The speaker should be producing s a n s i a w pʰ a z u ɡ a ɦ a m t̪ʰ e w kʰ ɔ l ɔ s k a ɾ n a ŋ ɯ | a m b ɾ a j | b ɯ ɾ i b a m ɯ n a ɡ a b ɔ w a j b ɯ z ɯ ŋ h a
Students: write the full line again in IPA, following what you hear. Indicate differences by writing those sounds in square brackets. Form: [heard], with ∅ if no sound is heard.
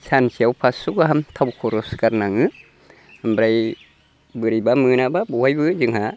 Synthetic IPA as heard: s a n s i a w pʰ a [s] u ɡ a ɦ a m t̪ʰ [a] w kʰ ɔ [ɾ] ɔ s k a ɾ n a ŋ ɯ | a m b ɾ a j | b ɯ ɾ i b a m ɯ n a [b] a b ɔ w a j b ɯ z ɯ ŋ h a